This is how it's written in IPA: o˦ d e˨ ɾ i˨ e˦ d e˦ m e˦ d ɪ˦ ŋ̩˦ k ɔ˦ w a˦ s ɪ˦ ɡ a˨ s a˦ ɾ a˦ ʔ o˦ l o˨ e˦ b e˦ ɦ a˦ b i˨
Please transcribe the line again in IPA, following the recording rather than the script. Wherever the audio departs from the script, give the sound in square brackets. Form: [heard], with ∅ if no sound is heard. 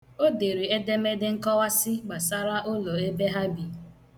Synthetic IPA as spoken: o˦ d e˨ ɾ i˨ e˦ d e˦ m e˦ d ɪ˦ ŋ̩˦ k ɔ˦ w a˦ s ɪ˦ [ɡ͡b] a˨ s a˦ ɾ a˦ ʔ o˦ l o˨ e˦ b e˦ ɦ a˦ b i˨